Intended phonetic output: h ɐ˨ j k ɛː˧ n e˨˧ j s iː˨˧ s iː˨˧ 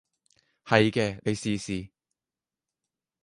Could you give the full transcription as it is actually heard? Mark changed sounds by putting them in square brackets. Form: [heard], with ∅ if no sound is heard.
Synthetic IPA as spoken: h ɐ˨ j k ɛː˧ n e˨˧ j s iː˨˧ s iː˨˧